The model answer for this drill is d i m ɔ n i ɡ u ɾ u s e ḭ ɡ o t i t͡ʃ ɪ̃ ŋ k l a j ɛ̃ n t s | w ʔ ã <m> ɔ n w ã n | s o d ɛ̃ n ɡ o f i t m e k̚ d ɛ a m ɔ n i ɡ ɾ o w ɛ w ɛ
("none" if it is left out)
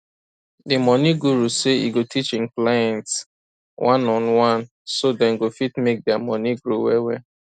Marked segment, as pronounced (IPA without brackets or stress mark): n